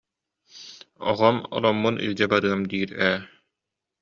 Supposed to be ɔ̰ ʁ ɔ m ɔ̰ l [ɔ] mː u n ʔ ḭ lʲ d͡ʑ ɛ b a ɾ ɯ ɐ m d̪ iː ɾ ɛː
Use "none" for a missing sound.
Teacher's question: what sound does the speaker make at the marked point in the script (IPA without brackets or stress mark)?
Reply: ɔ